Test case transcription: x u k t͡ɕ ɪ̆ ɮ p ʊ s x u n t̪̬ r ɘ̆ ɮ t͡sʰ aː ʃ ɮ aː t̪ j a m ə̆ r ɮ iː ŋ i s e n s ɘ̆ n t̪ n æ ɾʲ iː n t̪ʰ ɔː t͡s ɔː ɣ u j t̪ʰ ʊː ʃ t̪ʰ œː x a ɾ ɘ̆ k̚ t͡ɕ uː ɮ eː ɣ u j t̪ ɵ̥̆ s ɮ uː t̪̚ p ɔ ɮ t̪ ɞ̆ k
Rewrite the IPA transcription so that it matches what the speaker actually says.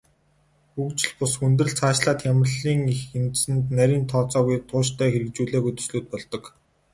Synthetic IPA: x u k t͡ɕ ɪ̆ ɮ p ʊ s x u n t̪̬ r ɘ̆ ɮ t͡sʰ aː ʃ ɮ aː t̪ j a m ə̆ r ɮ iː ŋ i x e n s ɘ̆ n t̪ n æ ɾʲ iː n t̪ʰ ɔː t͡s ɔː ɣ u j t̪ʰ ʊː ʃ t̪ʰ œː x e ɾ ɘ̆ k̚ t͡ɕ uː ɮ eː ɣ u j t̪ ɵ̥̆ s ɮ uː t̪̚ p ɔ ɮ t̪ ɞ̆ k